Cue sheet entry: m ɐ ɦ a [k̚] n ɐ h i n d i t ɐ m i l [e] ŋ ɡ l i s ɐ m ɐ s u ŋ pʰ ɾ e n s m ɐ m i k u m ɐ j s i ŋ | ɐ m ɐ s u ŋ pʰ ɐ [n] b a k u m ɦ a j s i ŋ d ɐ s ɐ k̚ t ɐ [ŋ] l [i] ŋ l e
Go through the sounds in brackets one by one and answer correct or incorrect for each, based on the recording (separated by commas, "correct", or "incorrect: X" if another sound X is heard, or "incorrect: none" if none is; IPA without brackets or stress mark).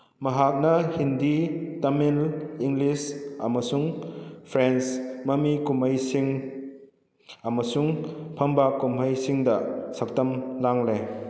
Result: correct, incorrect: i, incorrect: m, incorrect: m, incorrect: a